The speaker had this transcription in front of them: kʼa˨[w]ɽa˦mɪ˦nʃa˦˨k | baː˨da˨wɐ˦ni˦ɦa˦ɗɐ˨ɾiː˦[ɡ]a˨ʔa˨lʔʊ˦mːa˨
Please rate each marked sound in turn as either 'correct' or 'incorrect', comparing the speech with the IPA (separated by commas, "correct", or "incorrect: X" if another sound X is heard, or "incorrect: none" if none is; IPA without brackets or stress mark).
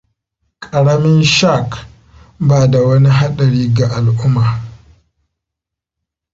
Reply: incorrect: none, correct